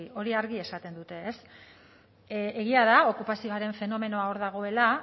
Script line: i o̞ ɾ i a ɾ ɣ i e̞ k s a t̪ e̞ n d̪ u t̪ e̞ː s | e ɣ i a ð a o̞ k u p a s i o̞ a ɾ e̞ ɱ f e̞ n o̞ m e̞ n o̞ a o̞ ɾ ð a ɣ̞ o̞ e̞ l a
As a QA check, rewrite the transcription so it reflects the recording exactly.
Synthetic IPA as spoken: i o̞ ɾ i a ɾ ɣ i e̞ s a t̪ e̞ n d̪ u t̪ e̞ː s | e ɣ i a ð a o̞ k u p a s i o̞ a ɾ e̞ ɱ f e̞ n o̞ m e̞ n o̞ a o̞ ɾ ð a ɣ̞ o̞ e̞ l a